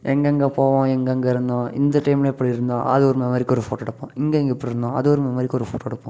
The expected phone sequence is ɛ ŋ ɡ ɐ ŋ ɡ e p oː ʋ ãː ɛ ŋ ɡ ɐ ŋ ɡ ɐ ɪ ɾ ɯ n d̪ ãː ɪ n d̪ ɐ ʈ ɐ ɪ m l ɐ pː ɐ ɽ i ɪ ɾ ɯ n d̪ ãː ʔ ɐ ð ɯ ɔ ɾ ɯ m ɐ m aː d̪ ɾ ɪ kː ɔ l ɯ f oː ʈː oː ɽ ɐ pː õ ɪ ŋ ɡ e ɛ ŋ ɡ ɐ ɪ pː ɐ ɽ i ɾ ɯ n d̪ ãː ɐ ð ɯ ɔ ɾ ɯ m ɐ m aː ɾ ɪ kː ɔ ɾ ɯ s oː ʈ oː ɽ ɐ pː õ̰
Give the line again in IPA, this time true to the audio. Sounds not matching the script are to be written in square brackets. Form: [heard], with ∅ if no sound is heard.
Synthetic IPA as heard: ɛ ŋ ɡ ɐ ŋ ɡ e p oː ʋ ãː ɛ ŋ ɡ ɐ ŋ ɡ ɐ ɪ ɾ ɯ n d̪ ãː ɪ n d̪ ɐ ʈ ɐ ɪ m l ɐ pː ɐ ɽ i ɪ ɾ ɯ n d̪ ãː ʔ ɐ ð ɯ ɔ ɾ ɯ m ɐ m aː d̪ ɾ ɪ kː ɔ [ɾ] ɯ f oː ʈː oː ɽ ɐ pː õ ɪ ŋ ɡ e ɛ ŋ ɡ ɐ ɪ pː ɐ ɽ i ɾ ɯ n d̪ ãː ɐ ð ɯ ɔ ɾ ɯ m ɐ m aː ɾ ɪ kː ɔ ɾ ɯ [f] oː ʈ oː ɽ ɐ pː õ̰